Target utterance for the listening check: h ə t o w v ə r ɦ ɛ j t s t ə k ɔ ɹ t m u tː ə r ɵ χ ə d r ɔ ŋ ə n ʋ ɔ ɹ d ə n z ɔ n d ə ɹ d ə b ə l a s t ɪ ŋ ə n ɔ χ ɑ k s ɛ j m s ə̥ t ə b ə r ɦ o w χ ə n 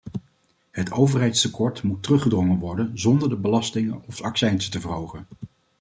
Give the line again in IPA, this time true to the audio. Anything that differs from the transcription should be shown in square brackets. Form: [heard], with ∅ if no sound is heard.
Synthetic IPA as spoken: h ə t o w v ə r ɦ ɛ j t s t ə k ɔ ɹ t m u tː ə r ɵ χ ə d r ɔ ŋ ə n ʋ ɔ ɹ d ə n z ɔ n d ə ɹ d ə b ə l [ɑ] s t ɪ ŋ ə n ɔ [f] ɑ k s ɛ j [n] s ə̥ t ə [v] ə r ɦ o w χ ə n